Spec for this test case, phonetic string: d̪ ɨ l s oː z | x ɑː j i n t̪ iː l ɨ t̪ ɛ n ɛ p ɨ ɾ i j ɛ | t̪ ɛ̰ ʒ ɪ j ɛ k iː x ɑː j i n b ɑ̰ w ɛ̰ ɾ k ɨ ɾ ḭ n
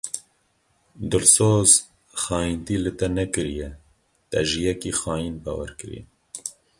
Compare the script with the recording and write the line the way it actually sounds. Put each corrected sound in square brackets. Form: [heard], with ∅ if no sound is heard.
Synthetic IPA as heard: d̪ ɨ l s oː z | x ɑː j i n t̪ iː l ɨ t̪ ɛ n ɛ [k] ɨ ɾ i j ɛ | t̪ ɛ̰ ʒ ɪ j ɛ k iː x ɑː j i n b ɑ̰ w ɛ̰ ɾ k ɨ ɾ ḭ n